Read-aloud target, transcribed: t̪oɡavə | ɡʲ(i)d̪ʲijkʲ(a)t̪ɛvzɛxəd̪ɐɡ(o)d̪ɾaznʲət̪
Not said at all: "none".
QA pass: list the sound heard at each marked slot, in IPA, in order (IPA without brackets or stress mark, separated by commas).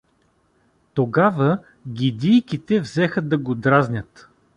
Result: i, i, o